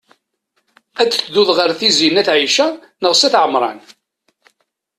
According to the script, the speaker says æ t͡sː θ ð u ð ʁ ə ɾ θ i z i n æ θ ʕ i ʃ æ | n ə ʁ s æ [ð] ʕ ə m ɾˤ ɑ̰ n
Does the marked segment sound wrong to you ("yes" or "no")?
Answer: yes